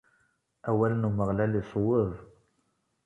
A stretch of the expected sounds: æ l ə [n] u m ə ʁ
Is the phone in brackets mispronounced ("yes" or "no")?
no